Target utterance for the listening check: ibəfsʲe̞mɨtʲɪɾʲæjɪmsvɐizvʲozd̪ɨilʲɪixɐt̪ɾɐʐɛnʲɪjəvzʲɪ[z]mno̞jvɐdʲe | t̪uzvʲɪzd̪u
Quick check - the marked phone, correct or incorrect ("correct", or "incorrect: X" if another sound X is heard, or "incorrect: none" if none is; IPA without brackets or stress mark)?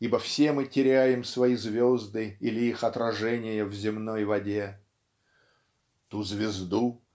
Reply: incorrect: none